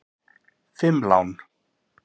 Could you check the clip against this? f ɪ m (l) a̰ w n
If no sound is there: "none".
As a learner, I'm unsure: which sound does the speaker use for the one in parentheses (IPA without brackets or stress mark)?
l